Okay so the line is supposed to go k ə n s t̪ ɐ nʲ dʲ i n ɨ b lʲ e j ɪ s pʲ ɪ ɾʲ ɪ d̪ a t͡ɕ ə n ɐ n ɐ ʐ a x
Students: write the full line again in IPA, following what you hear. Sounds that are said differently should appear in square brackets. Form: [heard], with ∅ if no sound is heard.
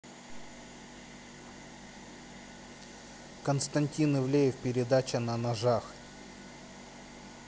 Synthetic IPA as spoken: k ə n s t̪ ɐ nʲ [tʲ] i n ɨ [v] lʲ e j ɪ [f] pʲ ɪ ɾʲ ɪ d̪ a t͡ɕ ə n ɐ n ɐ ʐ a x